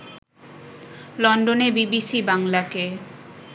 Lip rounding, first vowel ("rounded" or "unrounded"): rounded